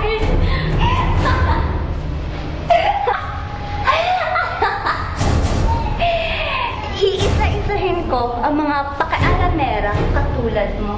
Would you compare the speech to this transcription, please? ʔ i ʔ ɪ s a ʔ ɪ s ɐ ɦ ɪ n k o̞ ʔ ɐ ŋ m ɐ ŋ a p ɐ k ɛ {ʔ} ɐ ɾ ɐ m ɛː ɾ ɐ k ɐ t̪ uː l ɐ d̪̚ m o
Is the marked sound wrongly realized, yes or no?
no